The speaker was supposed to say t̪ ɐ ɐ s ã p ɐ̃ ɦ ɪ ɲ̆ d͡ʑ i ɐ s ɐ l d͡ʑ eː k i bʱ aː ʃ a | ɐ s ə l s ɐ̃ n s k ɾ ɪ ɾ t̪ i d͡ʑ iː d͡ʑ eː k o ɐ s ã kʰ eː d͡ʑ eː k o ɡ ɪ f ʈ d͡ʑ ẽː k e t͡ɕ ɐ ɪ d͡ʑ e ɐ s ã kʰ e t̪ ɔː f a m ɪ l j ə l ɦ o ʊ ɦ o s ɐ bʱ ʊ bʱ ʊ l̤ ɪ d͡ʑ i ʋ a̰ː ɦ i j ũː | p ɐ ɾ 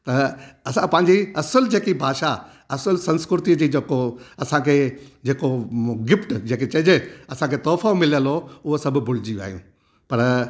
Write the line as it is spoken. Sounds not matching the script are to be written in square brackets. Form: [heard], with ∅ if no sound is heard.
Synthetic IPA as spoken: t̪ ɐ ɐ s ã p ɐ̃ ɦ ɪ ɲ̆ d͡ʑ i ɐ s [ə] l d͡ʑ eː k i bʱ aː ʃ a | ɐ s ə l s ɐ̃ n s k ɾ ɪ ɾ t̪ i d͡ʑ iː d͡ʑ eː k o ɐ s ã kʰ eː d͡ʑ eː k o ɡ ɪ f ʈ d͡ʑ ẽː k e t͡ɕ ɐ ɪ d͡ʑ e ɐ s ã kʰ e t̪ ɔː f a m ɪ l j ə l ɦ o ʊ ɦ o s ɐ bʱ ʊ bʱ ʊ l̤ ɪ d͡ʑ i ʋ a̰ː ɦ i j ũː | p ɐ ɾ